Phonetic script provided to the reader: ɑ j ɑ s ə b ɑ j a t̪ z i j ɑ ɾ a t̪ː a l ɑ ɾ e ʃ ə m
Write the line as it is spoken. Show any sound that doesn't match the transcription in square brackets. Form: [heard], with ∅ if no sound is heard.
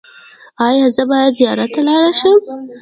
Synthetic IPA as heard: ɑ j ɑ [z] ə b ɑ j a [d̪] z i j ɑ ɾ a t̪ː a l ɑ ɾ [a] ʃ ə m